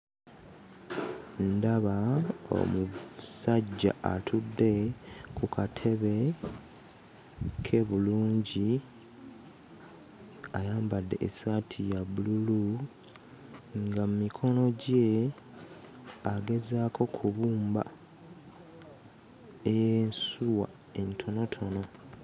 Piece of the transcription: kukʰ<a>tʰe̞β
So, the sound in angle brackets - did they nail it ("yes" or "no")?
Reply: yes